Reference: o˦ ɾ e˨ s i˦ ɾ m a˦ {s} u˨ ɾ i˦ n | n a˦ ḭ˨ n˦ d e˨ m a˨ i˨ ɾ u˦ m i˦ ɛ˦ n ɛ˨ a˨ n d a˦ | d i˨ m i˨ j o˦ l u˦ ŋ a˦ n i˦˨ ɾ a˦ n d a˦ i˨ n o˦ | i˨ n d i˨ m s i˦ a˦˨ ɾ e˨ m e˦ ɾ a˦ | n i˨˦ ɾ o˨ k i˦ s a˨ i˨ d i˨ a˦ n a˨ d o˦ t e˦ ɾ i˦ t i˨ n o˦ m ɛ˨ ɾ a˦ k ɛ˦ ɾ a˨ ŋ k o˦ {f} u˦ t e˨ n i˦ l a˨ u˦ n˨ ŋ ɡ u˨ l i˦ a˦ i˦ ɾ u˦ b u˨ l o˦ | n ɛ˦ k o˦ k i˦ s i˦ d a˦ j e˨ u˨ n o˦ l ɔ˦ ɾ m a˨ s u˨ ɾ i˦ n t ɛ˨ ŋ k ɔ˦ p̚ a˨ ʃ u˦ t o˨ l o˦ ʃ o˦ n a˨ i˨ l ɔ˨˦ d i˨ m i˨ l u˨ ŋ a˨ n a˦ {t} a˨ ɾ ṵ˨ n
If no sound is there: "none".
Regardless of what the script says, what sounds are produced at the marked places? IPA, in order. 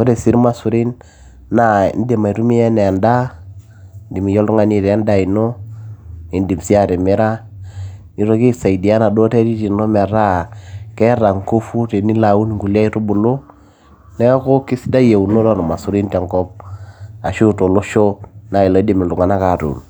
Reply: s, f, k

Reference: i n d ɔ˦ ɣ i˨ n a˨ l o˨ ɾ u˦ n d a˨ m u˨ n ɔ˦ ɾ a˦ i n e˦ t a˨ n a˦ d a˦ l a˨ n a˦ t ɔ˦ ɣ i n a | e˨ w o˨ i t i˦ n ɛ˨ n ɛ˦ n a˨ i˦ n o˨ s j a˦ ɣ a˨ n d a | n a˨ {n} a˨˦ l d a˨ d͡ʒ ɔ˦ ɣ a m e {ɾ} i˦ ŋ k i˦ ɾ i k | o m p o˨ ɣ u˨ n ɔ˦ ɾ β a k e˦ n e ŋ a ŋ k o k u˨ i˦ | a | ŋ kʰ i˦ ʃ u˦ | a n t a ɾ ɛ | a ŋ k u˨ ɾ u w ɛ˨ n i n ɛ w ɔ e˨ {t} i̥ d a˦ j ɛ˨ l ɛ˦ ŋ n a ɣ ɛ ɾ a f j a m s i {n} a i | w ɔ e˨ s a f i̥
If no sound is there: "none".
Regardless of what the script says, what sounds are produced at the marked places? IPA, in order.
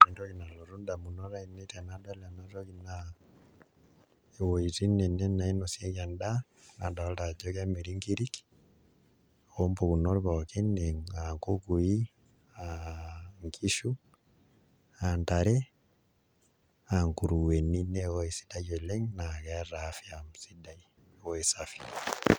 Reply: d, ɾ, s, d

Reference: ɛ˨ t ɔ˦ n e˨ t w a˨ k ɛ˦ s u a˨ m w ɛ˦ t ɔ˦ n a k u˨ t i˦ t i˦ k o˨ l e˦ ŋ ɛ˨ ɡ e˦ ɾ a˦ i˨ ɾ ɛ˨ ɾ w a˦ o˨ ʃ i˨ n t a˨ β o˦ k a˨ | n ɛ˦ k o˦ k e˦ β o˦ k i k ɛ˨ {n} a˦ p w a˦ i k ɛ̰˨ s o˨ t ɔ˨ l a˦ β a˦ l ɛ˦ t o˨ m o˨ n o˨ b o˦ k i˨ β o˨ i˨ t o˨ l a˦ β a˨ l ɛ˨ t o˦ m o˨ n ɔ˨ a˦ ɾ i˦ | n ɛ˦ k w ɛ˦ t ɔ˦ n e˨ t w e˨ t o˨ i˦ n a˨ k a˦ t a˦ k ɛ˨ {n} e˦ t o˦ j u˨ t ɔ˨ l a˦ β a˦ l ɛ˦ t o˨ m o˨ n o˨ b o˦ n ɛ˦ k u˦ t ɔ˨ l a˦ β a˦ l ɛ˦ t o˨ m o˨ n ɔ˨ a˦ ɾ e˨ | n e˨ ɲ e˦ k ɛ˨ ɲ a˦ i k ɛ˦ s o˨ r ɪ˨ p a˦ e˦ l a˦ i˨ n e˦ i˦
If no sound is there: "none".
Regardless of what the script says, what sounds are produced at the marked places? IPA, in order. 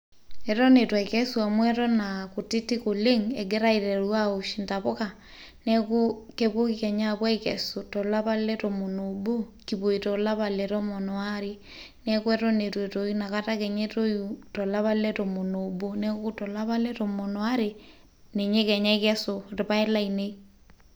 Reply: ɲ, ɲ

